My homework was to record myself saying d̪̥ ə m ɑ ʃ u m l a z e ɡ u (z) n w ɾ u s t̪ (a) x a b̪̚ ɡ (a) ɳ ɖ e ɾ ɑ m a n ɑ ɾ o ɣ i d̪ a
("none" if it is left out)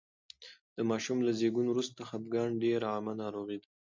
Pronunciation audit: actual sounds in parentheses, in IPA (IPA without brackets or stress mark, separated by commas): none, a, ɑ